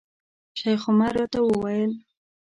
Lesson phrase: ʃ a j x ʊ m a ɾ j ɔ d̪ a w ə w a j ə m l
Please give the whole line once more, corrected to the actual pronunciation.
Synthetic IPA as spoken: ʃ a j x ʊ m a ɾ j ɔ t̪ a w ə w a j ə l